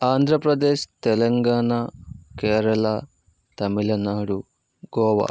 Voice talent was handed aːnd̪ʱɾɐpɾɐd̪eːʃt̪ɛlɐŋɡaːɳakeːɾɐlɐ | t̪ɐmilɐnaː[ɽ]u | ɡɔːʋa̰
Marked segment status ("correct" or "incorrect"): correct